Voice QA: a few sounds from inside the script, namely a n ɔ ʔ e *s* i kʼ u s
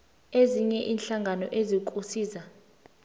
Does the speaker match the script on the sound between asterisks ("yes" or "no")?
no